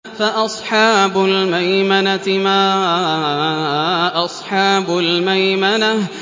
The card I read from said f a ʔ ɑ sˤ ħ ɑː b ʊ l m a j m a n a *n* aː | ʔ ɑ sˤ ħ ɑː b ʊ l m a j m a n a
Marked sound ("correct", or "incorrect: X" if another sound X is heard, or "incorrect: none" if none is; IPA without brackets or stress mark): incorrect: m